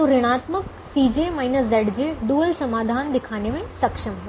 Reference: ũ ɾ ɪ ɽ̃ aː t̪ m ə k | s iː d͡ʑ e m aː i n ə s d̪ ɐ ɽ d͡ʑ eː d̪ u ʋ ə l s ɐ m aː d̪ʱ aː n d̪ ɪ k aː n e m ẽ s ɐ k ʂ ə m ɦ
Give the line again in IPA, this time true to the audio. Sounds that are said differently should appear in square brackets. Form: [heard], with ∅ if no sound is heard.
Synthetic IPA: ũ ɾ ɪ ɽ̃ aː t̪ m ə k | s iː d͡ʑ e m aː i n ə s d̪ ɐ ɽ d͡ʑ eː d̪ u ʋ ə l s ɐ m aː d̪ʱ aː n d̪ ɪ [kʰ] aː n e m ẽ s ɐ k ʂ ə m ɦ